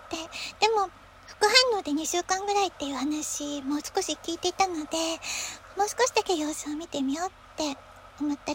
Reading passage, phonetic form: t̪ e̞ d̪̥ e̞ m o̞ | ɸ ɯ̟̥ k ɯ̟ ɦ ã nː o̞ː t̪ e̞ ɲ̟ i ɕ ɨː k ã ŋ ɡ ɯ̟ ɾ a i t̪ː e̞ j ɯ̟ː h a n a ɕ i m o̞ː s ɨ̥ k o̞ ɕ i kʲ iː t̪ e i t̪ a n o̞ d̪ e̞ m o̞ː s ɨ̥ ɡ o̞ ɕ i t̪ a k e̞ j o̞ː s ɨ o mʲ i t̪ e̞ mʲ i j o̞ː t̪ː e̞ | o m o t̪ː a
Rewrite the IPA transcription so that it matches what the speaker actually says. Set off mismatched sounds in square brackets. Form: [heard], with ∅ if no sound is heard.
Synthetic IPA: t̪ e̞ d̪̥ e̞ m o̞ | ɸ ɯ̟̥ k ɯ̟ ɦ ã nː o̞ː [d̪] e̞ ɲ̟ i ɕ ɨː k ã ŋ ɡ ɯ̟ ɾ a i t̪ː e̞ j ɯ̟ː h a n a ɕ i m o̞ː s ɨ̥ k o̞ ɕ i kʲ iː t̪ e i t̪ a n o̞ d̪ e̞ m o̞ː s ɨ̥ [k] o̞ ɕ i [d̪] a k e̞ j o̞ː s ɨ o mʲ i t̪ e̞ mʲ i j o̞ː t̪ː e̞ | o m o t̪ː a